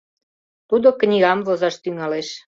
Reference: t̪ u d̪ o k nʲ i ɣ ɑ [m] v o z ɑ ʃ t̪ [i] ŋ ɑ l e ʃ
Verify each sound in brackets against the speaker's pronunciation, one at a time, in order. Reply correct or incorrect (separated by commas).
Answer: correct, incorrect